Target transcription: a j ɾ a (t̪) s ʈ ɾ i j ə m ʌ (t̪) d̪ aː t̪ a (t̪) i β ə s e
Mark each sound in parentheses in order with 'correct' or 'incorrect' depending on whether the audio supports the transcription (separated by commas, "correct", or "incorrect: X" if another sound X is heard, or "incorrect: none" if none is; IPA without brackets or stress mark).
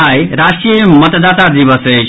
incorrect: none, correct, incorrect: d̪